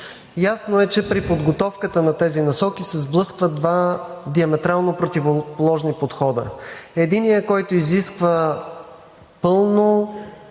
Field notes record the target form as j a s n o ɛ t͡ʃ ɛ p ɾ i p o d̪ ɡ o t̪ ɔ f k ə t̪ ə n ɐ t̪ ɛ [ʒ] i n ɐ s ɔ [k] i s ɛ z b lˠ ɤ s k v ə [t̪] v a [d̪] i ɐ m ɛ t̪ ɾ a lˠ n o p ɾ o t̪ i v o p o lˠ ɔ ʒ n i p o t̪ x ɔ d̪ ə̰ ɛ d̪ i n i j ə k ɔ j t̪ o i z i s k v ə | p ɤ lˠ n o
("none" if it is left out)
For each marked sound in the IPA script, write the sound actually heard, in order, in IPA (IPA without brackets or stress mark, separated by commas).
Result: z, k, d̪, d̪